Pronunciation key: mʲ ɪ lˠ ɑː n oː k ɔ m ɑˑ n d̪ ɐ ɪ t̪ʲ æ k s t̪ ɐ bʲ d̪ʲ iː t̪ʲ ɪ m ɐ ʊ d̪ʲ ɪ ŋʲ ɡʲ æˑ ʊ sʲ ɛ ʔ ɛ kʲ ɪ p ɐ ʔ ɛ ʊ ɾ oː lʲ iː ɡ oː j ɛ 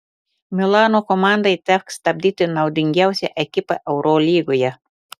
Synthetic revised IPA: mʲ ɪ lˠ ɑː n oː k ɔ m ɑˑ n d̪ ɐ ɪ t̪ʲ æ k s t̪ ɐ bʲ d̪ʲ iː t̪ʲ ɪ n ɐ ʊ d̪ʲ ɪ ŋʲ ɡʲ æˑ ʊ sʲ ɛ ʔ ɛ kʲ ɪ p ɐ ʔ ɛ ʊ ɾ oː lʲ iː ɡ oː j ɛ